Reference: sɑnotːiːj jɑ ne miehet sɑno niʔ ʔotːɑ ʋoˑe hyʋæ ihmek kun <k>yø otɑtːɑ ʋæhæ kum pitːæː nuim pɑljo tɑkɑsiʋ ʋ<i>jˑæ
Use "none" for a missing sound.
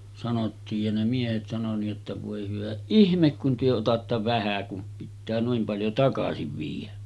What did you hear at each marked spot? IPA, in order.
t, iː

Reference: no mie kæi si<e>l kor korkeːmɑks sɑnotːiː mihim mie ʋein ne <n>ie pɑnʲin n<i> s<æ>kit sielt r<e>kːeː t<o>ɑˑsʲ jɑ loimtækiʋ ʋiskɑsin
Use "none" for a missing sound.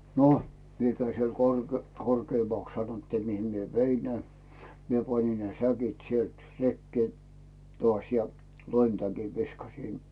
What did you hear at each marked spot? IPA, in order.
e, m, e, æ, e, o

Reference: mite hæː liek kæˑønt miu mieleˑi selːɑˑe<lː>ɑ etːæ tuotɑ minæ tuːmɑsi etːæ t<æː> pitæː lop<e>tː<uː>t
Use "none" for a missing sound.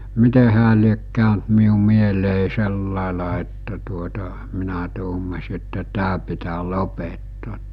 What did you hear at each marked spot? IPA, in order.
l, æː, e, oː

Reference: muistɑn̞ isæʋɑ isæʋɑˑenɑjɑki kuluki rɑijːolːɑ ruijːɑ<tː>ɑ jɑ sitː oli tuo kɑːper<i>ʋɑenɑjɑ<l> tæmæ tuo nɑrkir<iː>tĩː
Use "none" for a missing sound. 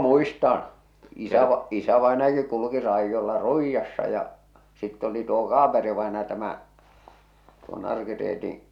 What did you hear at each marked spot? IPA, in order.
sː, i, none, eː

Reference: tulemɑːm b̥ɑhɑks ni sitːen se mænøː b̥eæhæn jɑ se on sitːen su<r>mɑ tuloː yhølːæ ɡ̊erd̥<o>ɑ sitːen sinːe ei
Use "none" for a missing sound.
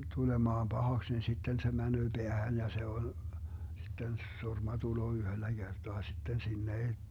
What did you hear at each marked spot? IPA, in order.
r, o

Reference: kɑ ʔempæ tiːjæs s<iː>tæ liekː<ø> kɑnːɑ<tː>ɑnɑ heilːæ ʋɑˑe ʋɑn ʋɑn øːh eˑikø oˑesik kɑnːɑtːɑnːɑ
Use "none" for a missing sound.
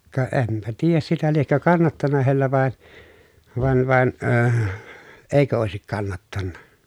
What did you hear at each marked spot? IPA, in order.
i, ø, tː

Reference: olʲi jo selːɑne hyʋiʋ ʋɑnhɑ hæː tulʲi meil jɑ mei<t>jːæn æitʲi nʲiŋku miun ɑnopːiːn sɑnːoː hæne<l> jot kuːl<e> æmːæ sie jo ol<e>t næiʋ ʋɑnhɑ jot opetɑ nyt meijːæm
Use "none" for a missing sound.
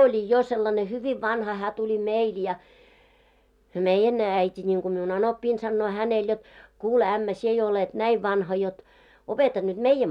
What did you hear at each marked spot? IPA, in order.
none, l, e, e

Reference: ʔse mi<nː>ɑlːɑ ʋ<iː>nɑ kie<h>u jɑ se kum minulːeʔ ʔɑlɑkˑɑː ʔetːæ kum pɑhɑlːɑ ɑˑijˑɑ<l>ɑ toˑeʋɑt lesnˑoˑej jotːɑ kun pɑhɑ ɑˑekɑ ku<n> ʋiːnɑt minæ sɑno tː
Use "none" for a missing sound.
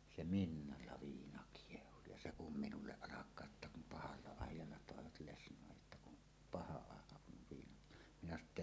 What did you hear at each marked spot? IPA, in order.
nː, iː, h, lː, n

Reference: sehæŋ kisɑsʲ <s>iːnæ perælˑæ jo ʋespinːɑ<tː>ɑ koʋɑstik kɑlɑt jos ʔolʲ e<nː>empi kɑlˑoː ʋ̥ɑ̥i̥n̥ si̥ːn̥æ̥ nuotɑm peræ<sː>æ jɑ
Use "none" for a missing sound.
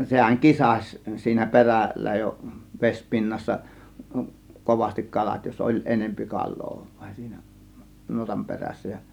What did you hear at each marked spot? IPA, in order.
s, sː, n, sː

